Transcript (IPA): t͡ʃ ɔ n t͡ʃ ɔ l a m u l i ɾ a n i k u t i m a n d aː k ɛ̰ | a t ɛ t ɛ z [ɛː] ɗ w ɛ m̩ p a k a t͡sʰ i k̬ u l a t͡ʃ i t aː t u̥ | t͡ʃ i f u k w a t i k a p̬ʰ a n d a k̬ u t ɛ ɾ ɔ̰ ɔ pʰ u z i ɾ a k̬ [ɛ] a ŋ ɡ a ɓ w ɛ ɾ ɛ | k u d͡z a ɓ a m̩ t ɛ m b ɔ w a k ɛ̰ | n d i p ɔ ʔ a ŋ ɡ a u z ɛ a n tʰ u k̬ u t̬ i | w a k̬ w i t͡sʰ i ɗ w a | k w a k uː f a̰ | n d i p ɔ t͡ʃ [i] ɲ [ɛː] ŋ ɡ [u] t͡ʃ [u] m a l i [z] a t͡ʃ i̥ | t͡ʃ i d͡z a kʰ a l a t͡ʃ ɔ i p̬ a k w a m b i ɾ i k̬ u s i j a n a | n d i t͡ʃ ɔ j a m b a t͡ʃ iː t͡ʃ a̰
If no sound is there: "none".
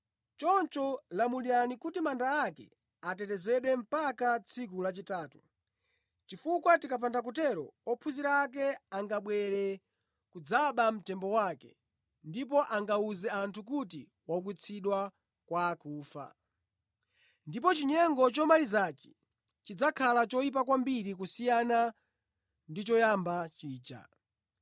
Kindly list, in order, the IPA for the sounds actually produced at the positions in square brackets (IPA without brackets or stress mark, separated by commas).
ɛ, ɛ, i, ɛ, ɔ, ɔ, z